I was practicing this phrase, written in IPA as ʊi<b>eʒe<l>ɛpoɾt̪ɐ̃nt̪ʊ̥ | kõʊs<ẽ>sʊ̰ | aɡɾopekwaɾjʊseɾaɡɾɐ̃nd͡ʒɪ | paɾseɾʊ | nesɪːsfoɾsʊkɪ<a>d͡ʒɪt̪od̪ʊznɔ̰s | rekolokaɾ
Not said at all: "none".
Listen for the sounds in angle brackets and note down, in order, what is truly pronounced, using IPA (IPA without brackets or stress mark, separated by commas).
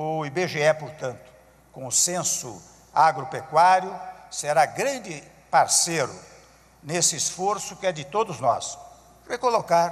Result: b, none, ẽ, ɛ